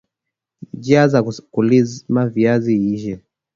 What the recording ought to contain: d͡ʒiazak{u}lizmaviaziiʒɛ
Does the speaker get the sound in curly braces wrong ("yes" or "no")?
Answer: no